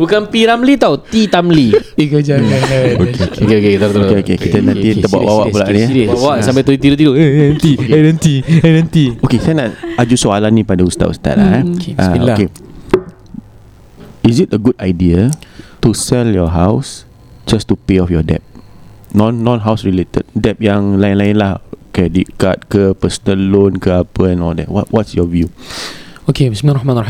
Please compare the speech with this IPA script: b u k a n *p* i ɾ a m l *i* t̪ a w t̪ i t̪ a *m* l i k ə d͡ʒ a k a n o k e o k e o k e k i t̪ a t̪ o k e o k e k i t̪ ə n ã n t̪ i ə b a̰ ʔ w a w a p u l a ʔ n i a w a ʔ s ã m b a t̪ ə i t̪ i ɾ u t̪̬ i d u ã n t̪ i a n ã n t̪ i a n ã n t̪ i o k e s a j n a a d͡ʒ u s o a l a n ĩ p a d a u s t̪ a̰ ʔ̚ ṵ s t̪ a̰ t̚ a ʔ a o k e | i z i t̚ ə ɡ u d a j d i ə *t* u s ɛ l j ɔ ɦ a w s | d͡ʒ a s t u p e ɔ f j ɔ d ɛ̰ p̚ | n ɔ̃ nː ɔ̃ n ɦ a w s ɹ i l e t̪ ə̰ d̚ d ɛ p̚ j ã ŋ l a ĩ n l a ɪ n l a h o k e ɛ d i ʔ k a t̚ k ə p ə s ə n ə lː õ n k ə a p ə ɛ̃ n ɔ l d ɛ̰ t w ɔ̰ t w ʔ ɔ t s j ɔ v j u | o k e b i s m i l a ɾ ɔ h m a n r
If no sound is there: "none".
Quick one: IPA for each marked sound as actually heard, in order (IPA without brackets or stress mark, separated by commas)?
p, i, m, t